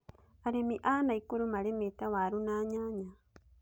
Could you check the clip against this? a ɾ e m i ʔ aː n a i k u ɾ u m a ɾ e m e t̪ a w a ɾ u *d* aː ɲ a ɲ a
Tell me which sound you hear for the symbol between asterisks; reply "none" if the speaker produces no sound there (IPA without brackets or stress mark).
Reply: n